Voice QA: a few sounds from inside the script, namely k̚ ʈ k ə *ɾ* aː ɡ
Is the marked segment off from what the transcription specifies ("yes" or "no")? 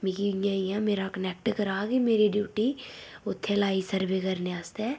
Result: no